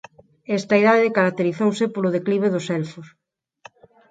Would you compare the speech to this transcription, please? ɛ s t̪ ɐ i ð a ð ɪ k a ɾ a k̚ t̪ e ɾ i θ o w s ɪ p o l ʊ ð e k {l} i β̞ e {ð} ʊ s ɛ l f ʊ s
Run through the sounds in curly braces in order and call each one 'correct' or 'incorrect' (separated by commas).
correct, correct